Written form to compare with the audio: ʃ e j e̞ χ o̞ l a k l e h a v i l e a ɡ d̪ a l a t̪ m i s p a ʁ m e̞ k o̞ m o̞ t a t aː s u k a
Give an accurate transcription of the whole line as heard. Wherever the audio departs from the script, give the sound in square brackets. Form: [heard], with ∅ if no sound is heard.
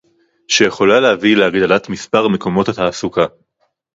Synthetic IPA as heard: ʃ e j e̞ χ o̞ l a [∅] l e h a v i l e a ɡ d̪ a l a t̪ m i s p a ʁ m e̞ k o̞ m o̞ t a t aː s u k a